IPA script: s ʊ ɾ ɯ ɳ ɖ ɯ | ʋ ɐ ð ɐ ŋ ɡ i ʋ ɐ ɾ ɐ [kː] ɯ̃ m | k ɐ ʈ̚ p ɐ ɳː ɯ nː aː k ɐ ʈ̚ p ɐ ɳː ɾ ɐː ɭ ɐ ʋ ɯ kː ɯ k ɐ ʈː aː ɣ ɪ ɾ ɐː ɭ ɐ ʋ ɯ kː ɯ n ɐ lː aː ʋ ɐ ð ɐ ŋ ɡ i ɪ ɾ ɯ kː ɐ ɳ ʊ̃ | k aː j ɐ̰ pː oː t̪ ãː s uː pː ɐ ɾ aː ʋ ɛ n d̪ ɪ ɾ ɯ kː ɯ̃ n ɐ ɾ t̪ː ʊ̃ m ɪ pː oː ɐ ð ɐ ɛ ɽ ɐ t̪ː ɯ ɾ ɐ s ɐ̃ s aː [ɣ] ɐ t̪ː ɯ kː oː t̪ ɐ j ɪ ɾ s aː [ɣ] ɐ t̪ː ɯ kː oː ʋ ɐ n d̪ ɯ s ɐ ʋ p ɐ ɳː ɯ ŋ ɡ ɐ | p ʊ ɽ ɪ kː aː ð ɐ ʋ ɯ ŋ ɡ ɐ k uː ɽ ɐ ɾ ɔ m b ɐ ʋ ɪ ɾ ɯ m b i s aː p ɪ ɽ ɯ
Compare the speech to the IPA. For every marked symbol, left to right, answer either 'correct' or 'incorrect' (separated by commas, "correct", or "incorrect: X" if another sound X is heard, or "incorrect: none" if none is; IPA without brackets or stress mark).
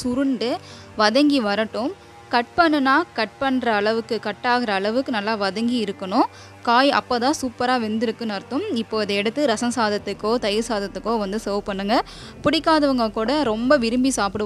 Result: incorrect: ʈː, incorrect: ð, incorrect: ð